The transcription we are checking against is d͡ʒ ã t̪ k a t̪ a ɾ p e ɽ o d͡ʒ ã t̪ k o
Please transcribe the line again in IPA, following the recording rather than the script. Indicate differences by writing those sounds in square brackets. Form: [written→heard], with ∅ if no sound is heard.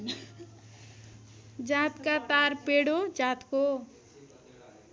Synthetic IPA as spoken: d͡ʒ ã t̪ k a t̪ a ɾ p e ɽ o d͡ʒ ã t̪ k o